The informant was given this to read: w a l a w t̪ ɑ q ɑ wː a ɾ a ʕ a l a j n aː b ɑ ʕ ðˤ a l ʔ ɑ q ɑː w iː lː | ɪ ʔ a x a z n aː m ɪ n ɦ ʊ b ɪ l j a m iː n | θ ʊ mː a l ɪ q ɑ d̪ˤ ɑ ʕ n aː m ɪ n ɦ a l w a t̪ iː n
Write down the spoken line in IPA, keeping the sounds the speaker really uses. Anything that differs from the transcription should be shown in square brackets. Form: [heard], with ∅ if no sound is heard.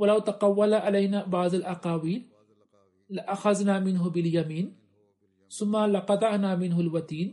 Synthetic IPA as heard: w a l a w t̪ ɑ q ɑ wː a [l] a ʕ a l a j n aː b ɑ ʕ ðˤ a l ʔ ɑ q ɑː w iː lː | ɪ ʔ a x a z n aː m ɪ n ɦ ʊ b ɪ l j a m iː n | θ ʊ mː a l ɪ q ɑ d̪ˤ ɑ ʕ n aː m ɪ n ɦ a l w a t̪ iː n